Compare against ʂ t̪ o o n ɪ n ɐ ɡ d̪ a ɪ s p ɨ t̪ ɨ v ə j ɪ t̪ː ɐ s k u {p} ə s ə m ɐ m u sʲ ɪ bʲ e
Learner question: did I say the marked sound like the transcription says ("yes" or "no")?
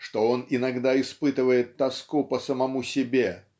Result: yes